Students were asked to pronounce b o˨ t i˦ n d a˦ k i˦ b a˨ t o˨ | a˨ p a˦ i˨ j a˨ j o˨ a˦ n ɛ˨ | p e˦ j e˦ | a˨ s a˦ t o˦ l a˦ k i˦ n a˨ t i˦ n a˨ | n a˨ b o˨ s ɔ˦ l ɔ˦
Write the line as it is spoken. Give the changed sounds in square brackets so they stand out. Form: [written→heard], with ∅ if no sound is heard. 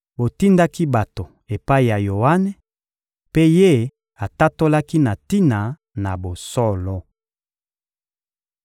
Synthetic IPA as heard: b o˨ t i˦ n d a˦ k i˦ b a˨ t o˨ | [a˨→e˨] p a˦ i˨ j a˨ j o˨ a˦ n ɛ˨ | p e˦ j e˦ | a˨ [s→t] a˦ t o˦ l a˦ k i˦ n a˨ t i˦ n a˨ | n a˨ b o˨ s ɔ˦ l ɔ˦